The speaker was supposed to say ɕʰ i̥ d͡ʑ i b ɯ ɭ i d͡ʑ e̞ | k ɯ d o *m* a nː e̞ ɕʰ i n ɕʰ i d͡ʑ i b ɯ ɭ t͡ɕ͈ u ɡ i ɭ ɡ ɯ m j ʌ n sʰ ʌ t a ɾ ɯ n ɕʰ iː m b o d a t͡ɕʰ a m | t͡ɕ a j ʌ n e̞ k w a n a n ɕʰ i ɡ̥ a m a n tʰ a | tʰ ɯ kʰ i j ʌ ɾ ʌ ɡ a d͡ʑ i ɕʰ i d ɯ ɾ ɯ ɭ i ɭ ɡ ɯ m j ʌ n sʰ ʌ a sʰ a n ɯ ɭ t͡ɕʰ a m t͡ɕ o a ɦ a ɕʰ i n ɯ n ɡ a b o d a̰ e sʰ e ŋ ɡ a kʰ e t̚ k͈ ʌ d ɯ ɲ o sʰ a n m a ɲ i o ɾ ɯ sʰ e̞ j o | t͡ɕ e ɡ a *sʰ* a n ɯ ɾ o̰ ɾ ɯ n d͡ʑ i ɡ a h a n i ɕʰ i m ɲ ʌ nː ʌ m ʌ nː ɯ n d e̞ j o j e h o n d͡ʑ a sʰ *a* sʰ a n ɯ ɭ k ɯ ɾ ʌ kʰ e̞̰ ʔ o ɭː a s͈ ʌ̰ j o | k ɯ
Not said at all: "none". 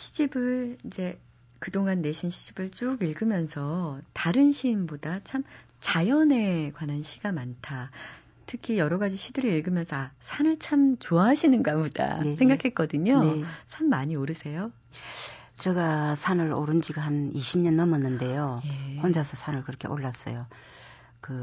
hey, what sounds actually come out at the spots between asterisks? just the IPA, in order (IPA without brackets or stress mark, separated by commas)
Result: ŋ, sʰ, ʌ